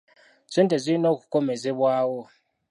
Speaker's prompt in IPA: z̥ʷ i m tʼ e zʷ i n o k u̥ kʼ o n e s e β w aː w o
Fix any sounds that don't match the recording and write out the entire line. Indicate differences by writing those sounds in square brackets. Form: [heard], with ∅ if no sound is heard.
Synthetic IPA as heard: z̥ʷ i [n] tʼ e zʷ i n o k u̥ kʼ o [m] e [z] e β w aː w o